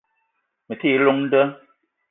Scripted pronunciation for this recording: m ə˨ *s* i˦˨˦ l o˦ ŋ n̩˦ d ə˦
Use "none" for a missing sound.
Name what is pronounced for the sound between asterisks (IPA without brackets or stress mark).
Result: t